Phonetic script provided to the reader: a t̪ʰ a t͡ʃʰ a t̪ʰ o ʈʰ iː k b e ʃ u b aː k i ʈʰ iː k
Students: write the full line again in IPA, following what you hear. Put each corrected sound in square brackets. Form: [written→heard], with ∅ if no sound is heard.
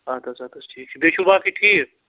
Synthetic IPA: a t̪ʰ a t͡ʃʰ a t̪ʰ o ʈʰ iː k b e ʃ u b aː k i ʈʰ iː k

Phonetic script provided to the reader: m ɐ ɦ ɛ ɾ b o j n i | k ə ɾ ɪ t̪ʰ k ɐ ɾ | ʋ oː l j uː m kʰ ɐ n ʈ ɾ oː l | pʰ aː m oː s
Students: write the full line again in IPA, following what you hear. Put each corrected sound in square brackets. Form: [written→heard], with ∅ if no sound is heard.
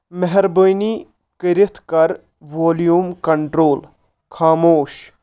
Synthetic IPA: m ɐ ɦ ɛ ɾ b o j n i | k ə ɾ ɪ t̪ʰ k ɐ ɾ | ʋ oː l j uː m [kʰ→k] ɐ [n→ɳ] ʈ ɾ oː l | [pʰ→kʰ] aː m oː [s→ʃ]

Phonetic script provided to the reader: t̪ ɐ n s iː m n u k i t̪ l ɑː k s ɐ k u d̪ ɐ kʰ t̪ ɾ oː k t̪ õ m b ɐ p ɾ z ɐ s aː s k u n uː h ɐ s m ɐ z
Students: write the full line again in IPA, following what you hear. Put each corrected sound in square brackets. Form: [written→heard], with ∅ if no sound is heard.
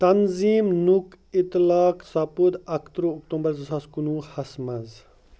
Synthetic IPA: t̪ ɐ n [s→z] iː m n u k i t̪ l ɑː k s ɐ [k→p] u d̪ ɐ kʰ t̪ ɾ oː k t̪ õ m b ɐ [p→∅] ɾ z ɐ s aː s k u n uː h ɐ s m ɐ z

